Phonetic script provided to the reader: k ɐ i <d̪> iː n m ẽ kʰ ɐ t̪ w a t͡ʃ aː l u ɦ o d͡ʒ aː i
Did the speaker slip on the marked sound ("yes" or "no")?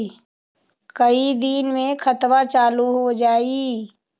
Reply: no